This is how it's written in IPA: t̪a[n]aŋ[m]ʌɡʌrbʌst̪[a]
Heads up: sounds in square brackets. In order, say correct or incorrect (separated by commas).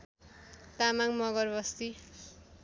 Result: incorrect, correct, incorrect